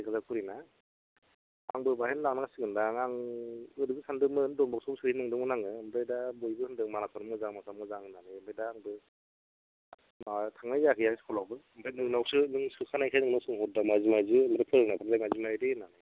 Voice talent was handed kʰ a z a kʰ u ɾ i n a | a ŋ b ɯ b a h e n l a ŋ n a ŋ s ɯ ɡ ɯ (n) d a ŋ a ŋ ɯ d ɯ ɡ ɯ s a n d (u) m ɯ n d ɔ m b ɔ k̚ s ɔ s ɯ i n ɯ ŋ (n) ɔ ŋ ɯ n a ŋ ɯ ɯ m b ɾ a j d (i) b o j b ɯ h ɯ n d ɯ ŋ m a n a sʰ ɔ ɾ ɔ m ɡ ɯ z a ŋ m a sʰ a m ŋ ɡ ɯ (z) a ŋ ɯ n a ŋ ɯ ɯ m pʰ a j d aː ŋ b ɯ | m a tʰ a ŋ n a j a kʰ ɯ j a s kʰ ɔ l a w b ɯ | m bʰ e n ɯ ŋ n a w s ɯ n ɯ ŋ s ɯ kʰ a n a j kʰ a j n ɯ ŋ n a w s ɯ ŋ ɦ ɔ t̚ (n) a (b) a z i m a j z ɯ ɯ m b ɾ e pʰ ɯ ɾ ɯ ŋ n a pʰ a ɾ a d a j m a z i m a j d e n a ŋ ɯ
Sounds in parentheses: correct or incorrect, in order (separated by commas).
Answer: correct, incorrect, incorrect, incorrect, correct, incorrect, incorrect